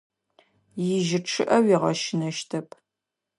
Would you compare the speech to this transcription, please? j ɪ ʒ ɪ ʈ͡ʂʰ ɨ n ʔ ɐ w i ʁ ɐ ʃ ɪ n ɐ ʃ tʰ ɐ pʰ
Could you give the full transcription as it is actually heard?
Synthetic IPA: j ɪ ʒ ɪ ʈ͡ʂʰ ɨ ʔ ɐ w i ʁ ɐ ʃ ɪ n ɐ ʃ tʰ ɐ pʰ

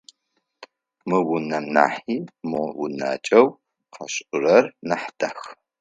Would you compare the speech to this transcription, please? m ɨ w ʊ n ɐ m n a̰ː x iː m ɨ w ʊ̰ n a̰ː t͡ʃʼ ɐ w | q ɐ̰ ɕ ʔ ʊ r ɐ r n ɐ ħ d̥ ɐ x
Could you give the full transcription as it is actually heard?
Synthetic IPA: m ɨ w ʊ n ɐ m n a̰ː ħ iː m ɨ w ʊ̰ n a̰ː t͡ʃʼ ɐ w | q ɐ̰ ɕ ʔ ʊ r ɐ r n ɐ ħ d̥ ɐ x

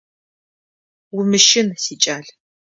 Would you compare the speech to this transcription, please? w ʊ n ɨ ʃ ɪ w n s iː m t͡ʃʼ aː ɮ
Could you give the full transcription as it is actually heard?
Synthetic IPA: w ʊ m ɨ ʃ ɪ n s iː t͡ʃʼ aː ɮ

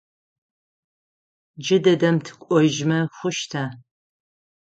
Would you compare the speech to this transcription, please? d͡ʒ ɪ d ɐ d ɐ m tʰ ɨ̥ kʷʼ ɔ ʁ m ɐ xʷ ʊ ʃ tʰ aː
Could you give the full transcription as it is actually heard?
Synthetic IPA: d͡ʒ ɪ d ɐ d ɐ m tʰ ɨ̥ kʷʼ ɔ ʒ m ɐ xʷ ʊ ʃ tʰ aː

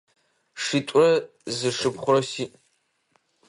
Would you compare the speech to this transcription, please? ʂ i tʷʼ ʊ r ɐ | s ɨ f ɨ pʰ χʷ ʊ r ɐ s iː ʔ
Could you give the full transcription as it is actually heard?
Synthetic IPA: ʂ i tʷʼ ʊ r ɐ | z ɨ ʂ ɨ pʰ χʷ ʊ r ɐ s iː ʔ

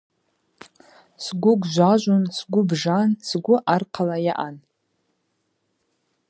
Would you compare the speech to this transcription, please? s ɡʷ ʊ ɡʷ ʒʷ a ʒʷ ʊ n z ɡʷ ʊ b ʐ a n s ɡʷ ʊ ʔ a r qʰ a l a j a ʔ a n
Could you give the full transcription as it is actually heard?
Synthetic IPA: s ɡʷ ʊ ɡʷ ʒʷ a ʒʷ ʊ n s ɡʷ ʊ b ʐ a n s ɡʷ ʊ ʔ a r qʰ a l a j a ʔ a n

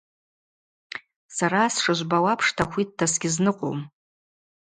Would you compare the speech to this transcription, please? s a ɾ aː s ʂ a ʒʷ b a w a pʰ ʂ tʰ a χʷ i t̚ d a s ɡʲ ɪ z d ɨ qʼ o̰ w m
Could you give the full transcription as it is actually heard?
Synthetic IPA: s a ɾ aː s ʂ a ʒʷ b a w a pʰ ʂ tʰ a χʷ i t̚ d a s ɡʲ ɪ z n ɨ qʼ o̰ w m

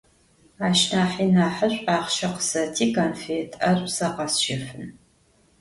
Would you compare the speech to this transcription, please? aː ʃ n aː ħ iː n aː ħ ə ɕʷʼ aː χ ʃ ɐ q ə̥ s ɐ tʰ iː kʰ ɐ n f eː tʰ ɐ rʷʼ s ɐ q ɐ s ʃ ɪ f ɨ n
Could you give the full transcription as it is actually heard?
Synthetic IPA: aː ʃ n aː ħ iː n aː ħ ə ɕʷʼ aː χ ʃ ɐ q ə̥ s ɐ tʰ iː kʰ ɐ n f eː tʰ ɐ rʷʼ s ɐ q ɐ s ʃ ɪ f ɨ n

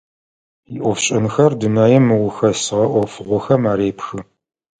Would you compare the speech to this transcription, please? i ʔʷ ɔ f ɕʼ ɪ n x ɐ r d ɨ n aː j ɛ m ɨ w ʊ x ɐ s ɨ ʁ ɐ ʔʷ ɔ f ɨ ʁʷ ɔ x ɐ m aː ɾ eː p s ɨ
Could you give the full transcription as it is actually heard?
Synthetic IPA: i ʔʷ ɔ f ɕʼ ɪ n x ɐ r d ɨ n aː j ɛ m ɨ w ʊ x ɐ s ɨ ʁ ɐ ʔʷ ɔ f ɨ ʁʷ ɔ x ɐ m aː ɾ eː p x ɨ

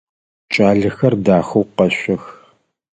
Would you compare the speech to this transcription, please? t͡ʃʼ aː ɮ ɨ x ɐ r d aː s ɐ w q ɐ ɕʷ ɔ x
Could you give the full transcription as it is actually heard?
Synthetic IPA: t͡ʃʼ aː ɮ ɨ x ɐ r d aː x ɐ w q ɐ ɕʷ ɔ x

